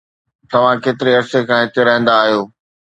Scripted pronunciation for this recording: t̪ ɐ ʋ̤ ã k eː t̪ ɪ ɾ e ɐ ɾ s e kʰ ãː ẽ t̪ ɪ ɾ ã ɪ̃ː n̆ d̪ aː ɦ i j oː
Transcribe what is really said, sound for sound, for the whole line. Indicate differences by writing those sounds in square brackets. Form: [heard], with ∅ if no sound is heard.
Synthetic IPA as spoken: t̪ ɐ ʋ̤ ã k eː t̪ ɪ ɾ e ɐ ɾ s e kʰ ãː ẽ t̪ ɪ ɾ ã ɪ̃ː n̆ d̪ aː ɦ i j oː